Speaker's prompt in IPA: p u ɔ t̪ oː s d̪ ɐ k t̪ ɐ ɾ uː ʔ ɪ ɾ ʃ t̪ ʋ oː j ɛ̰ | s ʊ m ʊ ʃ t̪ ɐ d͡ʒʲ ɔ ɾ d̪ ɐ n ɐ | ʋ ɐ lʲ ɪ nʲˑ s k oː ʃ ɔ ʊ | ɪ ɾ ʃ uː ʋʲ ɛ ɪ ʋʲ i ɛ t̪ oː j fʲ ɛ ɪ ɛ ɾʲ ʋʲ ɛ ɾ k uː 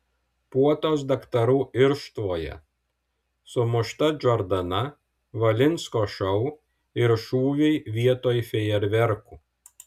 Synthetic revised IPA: p u ɔ t̪ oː s d̪ ɐ k t̪ ɐ ɾ uː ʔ ɪ ɾ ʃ t̪ ʋ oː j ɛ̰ | s ʊ m ʊ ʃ t̪ ɐ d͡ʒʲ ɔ ɾ d̪ ɐ n ɐ | ʋ ɐ lʲ ɪ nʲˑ s k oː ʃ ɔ ʊ | ɪ ɾ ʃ uː ʋʲ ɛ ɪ ʋʲ i ɛ t̪ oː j fʲ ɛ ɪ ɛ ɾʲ ʋʲ ɛ ɾ k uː